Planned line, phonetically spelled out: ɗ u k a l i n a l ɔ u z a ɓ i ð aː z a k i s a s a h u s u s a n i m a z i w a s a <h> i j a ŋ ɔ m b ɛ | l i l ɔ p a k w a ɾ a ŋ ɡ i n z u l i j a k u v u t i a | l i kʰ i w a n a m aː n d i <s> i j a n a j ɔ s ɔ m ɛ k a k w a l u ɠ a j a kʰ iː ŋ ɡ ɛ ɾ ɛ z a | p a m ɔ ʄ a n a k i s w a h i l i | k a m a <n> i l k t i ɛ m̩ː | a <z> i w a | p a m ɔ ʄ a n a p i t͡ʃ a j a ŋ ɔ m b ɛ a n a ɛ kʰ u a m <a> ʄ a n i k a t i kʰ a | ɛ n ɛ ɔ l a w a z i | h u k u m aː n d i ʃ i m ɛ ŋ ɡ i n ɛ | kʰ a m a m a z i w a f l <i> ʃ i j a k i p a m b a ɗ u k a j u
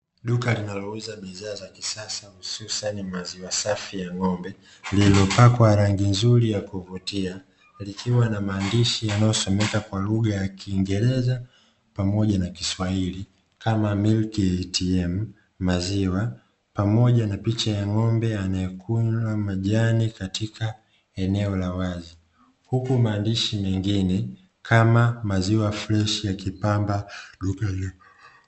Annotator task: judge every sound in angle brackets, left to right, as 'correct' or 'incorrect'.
incorrect, incorrect, incorrect, correct, correct, incorrect

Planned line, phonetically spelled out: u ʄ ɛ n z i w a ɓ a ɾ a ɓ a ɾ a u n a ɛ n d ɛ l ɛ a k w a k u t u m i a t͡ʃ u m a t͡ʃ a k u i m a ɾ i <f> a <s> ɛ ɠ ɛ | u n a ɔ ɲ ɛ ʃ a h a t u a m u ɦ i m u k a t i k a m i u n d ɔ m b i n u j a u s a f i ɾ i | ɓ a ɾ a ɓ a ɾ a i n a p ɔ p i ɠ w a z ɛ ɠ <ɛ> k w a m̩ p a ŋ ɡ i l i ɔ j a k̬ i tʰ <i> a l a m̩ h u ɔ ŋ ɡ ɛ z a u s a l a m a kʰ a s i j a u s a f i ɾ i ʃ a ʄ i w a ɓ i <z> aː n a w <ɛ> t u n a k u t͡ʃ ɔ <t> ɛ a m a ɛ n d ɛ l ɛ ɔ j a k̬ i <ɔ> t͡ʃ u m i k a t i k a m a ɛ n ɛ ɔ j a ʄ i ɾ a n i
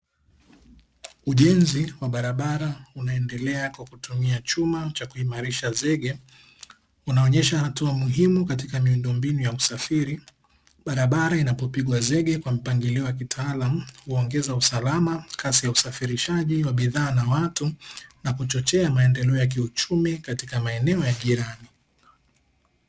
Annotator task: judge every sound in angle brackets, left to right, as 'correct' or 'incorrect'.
incorrect, incorrect, correct, incorrect, incorrect, incorrect, incorrect, incorrect

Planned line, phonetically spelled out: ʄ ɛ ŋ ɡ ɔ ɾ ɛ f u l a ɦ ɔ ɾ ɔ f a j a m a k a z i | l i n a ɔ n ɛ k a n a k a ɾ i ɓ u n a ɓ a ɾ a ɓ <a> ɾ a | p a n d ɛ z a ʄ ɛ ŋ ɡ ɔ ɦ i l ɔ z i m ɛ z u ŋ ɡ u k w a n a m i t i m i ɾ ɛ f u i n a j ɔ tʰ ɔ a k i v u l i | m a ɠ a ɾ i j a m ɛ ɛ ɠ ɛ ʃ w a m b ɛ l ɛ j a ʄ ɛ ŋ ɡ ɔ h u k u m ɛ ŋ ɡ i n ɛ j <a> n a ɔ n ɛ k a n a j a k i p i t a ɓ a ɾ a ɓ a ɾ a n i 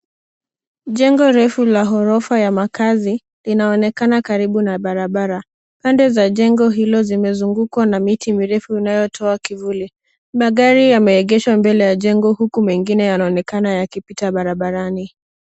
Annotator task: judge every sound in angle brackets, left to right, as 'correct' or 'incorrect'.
correct, correct

